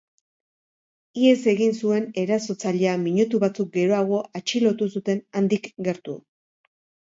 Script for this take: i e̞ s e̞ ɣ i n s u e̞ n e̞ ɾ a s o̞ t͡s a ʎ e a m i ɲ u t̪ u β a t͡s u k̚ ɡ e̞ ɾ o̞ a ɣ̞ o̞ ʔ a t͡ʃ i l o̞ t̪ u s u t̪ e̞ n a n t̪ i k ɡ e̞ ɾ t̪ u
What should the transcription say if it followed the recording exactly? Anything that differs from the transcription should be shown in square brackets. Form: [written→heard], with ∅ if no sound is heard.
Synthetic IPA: i e̞ s e̞ ɣ i n s u e̞ n e̞ ɾ a s o̞ t͡s a ʎ e a m i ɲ u t̪ u β a t͡s u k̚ ɡ e̞ ɾ o̞ a ɣ̞ o̞ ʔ a t͡ʃ i l o̞ t̪ u s u t̪ e̞ n a n [t̪→d̪] i k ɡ e̞ ɾ t̪ u